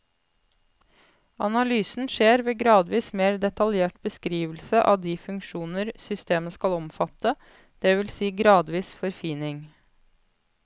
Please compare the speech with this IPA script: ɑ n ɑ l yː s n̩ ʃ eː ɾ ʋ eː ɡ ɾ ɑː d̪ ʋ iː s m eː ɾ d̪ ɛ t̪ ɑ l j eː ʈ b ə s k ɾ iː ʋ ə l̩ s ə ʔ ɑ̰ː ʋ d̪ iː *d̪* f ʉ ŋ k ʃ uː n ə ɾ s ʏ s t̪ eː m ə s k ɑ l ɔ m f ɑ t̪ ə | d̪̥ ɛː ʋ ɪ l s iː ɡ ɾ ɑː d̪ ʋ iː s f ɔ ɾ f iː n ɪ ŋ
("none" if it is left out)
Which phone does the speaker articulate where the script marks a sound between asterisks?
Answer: none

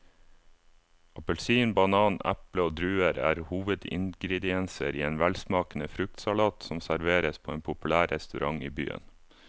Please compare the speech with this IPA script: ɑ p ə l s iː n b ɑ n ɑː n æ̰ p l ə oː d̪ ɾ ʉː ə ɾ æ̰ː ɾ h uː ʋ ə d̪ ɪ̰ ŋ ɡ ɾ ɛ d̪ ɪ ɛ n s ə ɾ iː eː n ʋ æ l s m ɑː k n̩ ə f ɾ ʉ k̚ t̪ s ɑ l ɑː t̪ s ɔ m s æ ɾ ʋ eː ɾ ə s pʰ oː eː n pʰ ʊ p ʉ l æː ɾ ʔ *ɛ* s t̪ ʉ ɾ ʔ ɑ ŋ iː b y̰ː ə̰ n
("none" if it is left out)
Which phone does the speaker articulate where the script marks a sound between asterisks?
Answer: ɛ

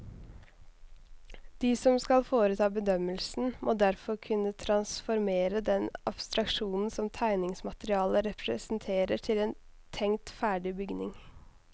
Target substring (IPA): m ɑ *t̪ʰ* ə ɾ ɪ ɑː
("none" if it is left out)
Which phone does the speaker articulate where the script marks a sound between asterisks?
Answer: t̪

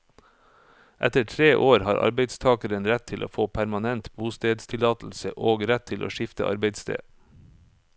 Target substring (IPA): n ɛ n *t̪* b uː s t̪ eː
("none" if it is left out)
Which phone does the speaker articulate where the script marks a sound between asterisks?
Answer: t̪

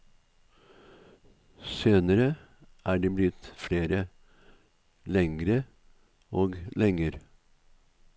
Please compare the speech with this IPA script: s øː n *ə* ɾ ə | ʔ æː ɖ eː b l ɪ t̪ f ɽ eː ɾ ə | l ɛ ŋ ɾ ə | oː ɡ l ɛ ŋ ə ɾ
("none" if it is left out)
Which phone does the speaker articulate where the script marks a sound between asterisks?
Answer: ə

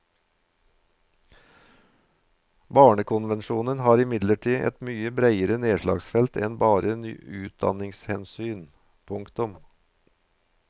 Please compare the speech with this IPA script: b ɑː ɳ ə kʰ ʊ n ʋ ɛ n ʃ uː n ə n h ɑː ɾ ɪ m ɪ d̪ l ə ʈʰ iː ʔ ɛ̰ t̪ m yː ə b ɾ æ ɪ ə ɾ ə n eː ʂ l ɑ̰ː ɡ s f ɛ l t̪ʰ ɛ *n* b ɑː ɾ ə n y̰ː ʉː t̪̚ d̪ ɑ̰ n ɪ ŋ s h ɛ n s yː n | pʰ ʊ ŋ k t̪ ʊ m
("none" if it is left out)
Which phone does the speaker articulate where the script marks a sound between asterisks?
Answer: n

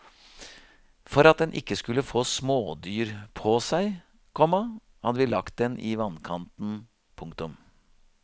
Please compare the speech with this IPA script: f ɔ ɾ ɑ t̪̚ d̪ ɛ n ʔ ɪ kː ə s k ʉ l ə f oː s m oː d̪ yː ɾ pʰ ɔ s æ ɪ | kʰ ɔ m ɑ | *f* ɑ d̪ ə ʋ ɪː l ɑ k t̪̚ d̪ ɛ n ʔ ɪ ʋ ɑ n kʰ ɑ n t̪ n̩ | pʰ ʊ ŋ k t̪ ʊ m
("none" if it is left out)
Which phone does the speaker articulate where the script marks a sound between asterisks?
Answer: h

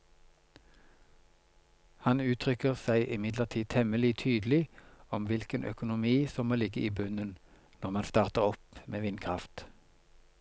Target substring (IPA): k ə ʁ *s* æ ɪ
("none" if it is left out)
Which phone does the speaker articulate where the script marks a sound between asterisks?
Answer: s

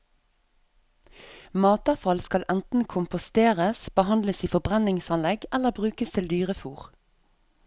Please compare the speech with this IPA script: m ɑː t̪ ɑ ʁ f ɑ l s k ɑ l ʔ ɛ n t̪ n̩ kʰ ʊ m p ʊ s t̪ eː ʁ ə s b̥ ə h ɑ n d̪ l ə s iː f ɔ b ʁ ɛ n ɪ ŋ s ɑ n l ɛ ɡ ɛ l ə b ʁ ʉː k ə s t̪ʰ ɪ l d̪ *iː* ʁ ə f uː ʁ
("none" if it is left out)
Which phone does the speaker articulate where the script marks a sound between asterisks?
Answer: yː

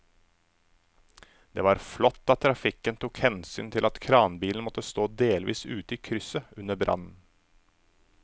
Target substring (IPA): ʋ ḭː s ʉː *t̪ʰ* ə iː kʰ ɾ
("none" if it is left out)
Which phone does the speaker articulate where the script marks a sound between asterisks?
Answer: t̪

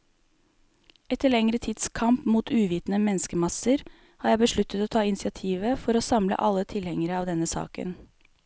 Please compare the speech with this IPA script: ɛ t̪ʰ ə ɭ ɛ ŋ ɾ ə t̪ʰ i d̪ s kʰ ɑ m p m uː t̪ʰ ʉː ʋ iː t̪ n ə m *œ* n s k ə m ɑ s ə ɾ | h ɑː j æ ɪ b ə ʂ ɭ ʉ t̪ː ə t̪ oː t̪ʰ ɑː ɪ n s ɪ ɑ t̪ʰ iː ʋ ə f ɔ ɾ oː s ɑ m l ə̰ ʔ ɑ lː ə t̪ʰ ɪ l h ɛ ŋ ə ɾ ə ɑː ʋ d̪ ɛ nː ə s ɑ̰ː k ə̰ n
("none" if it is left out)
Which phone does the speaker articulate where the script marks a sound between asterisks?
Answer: ɛ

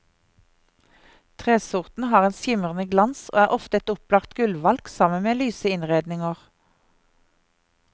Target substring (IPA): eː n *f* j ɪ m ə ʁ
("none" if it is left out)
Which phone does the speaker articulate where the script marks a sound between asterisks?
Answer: s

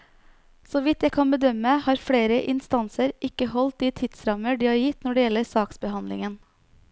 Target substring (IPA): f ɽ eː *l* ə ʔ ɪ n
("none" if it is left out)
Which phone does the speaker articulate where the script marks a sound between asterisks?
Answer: ɾ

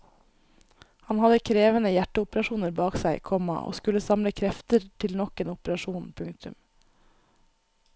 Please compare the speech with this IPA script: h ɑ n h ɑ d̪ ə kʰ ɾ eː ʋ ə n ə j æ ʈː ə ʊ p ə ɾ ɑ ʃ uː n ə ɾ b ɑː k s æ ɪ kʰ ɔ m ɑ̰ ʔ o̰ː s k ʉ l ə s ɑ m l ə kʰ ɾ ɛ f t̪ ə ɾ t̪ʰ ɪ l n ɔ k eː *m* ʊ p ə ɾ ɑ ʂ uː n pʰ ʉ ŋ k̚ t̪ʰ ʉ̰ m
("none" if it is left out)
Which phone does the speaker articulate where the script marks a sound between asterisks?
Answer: n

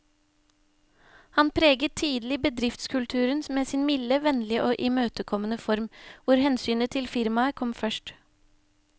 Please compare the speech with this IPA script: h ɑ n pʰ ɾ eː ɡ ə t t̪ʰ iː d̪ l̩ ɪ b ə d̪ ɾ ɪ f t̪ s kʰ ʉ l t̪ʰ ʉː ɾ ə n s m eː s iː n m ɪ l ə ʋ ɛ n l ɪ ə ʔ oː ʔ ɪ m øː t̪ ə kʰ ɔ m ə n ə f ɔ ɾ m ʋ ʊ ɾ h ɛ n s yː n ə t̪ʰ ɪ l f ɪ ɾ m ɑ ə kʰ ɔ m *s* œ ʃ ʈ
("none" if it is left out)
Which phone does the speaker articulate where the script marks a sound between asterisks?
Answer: f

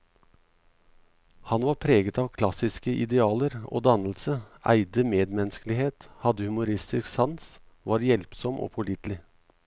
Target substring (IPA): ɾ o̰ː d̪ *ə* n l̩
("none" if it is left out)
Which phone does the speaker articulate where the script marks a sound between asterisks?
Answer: ɑ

